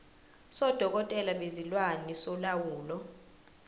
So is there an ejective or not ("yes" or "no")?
yes